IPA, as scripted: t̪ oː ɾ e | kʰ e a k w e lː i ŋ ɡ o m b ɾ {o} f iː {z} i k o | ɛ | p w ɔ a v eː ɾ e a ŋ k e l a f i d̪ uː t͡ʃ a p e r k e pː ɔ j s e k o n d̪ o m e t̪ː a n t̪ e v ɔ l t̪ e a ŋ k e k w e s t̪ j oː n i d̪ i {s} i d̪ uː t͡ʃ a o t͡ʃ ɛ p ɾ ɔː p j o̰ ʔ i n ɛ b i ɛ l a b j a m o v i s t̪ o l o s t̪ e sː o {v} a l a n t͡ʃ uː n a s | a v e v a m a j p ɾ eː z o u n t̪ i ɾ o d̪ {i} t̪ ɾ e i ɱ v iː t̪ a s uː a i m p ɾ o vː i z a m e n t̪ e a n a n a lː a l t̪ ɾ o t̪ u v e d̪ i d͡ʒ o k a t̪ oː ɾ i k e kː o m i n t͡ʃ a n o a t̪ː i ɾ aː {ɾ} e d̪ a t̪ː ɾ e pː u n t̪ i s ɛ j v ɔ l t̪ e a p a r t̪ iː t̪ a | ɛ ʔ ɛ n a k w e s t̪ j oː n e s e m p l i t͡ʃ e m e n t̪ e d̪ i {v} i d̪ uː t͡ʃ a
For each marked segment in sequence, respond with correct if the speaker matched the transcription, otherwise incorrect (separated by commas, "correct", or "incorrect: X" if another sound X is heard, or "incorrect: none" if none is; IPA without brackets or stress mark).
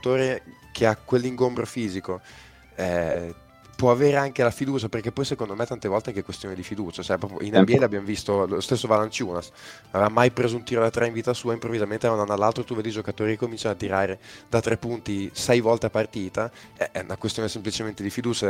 correct, correct, incorrect: f, correct, incorrect: a, correct, incorrect: f